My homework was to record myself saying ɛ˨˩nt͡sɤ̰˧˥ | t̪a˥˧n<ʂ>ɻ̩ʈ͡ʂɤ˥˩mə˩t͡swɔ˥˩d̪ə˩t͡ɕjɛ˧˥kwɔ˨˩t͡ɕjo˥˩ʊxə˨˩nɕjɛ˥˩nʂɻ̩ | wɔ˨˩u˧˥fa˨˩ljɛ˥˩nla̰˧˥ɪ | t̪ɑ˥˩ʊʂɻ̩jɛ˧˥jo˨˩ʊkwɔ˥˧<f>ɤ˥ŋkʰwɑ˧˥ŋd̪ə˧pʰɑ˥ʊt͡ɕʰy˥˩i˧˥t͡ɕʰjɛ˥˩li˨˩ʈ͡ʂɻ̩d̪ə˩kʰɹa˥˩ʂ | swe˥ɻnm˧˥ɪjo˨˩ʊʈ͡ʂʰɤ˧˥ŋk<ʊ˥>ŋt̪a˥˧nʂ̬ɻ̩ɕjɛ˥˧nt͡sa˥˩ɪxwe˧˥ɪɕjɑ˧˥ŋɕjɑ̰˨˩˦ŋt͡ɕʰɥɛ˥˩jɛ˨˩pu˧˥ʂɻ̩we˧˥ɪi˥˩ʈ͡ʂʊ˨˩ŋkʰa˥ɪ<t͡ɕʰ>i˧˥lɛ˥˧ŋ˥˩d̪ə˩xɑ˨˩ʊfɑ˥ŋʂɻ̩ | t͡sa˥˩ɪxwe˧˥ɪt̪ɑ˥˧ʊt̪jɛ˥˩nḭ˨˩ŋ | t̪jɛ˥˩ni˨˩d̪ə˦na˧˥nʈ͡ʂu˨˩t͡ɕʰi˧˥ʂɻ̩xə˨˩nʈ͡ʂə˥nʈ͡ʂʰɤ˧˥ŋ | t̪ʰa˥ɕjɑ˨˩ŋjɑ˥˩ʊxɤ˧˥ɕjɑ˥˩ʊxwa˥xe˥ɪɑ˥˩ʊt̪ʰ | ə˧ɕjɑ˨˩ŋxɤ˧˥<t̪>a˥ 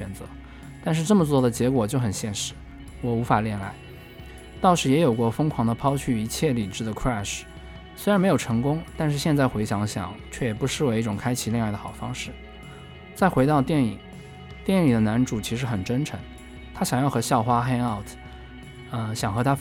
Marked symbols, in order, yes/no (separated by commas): yes, yes, yes, yes, no